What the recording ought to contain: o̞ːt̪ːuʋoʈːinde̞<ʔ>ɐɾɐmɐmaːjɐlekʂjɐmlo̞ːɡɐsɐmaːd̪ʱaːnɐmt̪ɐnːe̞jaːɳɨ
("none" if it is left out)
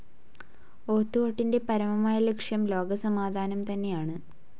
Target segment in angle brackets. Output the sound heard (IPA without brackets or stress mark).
p